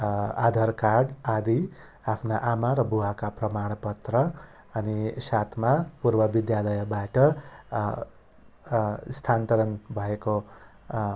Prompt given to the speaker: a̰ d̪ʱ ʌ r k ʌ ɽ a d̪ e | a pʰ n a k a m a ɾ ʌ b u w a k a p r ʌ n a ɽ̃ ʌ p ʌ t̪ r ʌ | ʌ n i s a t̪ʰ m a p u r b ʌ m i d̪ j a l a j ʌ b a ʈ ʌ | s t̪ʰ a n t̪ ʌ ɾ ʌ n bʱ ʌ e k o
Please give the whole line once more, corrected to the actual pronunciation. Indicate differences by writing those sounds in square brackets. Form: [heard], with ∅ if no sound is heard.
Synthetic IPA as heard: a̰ d̪ʱ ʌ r k [a] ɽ a d̪ [i] | a pʰ n a [ʔ] a m a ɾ ʌ b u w a k a p r ʌ [m] a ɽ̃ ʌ p ʌ t̪ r ʌ | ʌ n i s a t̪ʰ m a p u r b ʌ [b] i d̪ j a l [ʌ] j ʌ b a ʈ ʌ | s t̪ʰ a n t̪ ʌ ɾ ʌ n bʱ ʌ e k o